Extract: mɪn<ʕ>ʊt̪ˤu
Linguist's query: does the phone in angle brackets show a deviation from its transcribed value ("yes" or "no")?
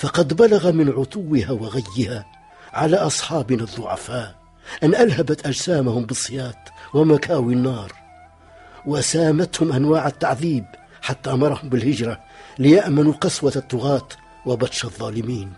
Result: no